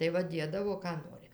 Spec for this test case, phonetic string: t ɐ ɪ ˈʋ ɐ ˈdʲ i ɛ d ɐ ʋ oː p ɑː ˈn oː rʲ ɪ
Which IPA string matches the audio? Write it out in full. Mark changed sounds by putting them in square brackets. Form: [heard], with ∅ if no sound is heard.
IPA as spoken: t ɐ ɪ ˈʋ ɐ ˈdʲ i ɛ d ɐ ʋ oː [k] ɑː ˈn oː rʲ ɪ